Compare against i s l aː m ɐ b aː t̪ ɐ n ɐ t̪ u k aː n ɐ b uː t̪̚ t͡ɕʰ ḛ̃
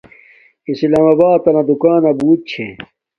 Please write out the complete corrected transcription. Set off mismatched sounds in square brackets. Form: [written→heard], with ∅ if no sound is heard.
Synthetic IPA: i s l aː m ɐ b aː t̪ ɐ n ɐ [t̪→d̪] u k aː n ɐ b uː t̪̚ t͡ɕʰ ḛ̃